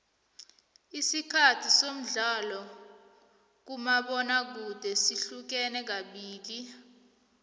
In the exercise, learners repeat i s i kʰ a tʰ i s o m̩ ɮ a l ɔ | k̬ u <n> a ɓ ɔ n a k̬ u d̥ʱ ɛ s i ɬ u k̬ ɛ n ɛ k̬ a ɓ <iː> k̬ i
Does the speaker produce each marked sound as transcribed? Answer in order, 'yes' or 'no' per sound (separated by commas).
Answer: no, yes